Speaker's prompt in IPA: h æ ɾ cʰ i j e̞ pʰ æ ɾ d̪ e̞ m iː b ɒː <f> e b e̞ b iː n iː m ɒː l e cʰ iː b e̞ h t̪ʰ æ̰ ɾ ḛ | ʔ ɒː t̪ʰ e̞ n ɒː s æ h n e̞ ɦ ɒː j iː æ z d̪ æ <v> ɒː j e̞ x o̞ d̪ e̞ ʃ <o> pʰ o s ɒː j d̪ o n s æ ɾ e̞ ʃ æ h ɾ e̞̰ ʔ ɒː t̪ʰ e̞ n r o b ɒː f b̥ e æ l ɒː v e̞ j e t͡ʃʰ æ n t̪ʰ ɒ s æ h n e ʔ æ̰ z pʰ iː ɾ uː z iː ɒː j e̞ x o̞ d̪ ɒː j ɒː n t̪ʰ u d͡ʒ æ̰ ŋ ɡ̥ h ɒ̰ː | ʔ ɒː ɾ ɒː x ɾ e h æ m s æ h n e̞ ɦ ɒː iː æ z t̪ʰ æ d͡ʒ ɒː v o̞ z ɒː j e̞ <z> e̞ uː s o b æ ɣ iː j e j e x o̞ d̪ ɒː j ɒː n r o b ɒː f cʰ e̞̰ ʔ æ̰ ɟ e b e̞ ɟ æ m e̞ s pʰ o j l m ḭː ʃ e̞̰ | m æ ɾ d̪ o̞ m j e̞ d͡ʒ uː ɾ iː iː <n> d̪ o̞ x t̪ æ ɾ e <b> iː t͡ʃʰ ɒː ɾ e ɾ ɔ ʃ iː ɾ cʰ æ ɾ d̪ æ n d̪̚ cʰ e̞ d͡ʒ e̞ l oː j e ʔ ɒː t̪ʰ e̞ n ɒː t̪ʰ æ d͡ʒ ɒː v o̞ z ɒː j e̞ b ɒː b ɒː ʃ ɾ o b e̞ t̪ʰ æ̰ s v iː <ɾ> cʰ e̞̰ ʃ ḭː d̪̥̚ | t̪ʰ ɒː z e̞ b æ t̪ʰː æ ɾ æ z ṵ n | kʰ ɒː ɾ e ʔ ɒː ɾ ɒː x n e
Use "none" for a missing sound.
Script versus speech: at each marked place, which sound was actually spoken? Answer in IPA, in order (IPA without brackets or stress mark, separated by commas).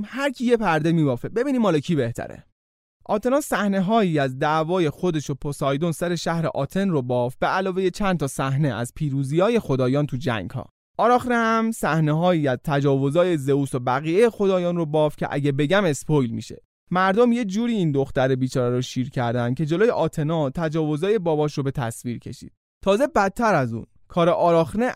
f, v, o, z, n, b, ɾ